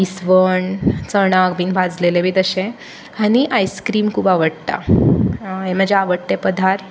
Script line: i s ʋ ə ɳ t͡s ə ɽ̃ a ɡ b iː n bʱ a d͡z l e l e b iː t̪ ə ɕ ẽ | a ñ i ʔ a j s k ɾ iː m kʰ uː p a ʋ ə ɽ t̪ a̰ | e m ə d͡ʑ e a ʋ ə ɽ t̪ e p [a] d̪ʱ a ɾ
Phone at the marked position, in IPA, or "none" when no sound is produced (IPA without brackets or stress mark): ə